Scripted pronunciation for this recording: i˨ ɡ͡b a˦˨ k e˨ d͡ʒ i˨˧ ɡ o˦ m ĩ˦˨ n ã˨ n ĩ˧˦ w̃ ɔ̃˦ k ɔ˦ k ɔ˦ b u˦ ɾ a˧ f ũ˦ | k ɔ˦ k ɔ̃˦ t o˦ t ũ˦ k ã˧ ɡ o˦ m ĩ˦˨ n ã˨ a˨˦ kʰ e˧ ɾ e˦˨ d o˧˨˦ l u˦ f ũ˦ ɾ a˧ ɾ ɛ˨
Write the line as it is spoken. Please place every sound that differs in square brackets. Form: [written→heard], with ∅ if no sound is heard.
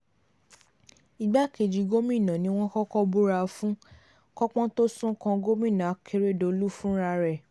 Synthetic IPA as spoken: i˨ ɡ͡b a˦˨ k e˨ d͡ʒ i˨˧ ɡ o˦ m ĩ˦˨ n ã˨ n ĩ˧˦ w̃ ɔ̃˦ k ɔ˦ k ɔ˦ b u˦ ɾ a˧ f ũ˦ | k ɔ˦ [k→k͡p] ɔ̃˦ t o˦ [t→s] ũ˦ k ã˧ ɡ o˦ m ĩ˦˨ n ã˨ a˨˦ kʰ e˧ ɾ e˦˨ d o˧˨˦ l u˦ f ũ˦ ɾ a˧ ɾ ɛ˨

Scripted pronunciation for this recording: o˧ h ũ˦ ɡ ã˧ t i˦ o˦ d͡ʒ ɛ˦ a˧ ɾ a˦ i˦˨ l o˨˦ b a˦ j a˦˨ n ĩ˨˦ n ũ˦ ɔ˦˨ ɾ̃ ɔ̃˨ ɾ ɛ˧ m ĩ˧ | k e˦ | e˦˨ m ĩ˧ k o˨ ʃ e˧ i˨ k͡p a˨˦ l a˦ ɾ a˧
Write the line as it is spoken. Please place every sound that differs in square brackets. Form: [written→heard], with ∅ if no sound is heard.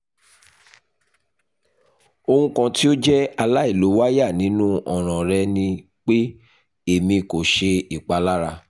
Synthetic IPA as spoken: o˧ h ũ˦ [ɡ→k] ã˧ t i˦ o˦ d͡ʒ ɛ˦ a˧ [ɾ→l] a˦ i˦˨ l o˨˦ [b→w] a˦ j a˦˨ n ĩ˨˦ n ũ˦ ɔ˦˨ ɾ̃ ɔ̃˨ ɾ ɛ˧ [m→n] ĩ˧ | [k→k͡p] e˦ | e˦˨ m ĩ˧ k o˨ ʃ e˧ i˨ k͡p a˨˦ l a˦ ɾ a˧

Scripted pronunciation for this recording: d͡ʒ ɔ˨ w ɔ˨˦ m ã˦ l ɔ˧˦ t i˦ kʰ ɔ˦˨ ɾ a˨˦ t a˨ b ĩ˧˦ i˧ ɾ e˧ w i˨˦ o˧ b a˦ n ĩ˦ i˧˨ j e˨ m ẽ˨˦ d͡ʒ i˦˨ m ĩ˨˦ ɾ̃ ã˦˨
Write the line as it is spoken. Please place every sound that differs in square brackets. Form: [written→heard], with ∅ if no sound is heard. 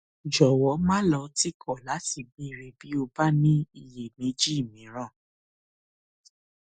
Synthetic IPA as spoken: d͡ʒ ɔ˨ w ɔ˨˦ m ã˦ l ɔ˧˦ t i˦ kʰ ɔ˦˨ [ɾ→l] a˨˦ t [a˨→i˨] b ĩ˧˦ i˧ ɾ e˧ [w→b] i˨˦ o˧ b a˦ n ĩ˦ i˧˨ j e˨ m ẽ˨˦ d͡ʒ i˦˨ m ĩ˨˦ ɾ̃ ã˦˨

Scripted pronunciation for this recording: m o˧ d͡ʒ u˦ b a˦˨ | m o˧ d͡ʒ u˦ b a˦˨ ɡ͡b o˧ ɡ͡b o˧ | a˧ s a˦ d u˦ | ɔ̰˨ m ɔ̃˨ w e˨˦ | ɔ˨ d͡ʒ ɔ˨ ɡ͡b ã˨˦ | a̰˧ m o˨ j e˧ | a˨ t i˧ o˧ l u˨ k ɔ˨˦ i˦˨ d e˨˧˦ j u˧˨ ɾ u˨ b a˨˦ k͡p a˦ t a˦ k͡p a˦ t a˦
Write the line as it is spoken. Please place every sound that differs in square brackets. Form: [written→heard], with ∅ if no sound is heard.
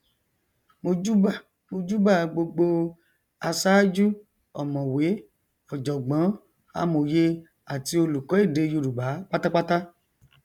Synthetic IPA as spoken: m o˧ d͡ʒ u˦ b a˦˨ | m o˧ d͡ʒ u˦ b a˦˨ ɡ͡b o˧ ɡ͡b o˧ | a˧ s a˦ [d→d͡ʒ] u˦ | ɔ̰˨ m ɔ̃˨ w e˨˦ | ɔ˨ d͡ʒ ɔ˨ ɡ͡b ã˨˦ | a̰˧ m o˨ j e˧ | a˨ t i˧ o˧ l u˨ k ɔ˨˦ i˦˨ d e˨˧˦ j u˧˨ ɾ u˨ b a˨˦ k͡p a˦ t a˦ k͡p a˦ t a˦

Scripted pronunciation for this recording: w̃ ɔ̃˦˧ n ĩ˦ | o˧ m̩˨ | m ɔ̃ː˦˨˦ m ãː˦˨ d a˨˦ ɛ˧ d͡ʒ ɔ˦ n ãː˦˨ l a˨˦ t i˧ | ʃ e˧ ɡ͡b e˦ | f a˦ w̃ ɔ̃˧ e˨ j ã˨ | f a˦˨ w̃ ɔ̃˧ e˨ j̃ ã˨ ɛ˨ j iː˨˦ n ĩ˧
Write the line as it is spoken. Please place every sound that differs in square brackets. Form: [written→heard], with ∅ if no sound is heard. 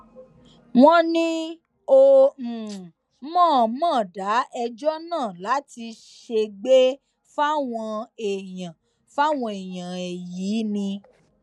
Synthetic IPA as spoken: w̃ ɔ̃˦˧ n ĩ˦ | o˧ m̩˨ | m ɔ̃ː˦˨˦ m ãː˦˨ d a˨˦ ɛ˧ d͡ʒ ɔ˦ n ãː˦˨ l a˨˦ t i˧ | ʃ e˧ ɡ͡b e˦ | f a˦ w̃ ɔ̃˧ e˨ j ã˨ | f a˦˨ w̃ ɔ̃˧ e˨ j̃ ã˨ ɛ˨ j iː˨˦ n ĩ˧

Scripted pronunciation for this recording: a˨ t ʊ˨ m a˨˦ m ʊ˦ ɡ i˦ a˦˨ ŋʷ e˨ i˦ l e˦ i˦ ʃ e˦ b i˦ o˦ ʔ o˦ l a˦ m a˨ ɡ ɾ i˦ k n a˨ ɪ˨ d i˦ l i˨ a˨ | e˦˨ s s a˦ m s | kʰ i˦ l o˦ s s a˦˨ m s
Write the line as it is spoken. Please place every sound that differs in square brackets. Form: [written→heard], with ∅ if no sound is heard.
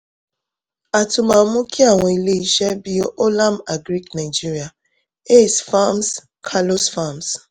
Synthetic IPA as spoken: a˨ t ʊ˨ m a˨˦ m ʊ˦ [ɡ→k] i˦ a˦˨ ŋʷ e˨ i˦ l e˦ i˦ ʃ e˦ b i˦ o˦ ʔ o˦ l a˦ m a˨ ɡ ɾ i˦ k n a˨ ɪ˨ [d→d͡ʒ] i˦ [l→ɾ] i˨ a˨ | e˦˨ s [s→f] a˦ m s | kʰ [i˦→a˦] l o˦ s [s→f] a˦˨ m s

